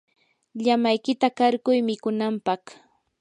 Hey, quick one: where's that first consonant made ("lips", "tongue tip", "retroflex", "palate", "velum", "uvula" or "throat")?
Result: palate